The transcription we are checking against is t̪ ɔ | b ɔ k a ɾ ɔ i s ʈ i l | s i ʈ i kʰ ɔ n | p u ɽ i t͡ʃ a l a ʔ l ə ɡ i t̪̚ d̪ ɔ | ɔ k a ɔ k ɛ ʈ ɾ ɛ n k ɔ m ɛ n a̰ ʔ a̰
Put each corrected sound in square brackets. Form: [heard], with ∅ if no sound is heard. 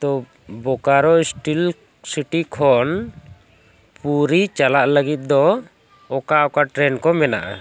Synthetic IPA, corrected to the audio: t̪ ɔ | b ɔ k a ɾ ɔ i s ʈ i l | s i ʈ i kʰ ɔ n | p u [ɾ] i t͡ʃ a l a ʔ l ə ɡ i t̪̚ d̪ ɔ | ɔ k a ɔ k [a] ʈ ɾ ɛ n k ɔ m ɛ n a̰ ʔ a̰